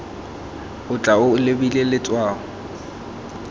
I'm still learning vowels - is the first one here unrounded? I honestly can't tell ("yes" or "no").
no